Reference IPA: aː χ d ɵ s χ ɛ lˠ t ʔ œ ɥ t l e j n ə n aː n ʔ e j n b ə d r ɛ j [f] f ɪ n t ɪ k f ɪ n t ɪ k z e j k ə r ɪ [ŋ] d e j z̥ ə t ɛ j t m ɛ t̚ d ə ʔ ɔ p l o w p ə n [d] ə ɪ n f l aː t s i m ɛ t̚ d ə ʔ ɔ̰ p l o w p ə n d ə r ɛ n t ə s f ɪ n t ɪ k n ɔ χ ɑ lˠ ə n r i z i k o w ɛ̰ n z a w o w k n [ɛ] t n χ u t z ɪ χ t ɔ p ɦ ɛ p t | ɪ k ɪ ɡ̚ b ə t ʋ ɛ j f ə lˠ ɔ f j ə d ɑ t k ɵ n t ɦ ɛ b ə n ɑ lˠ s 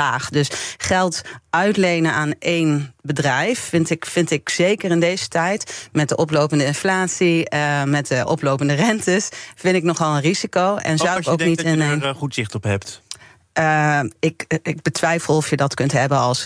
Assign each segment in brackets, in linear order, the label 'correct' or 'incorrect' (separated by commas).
correct, incorrect, correct, incorrect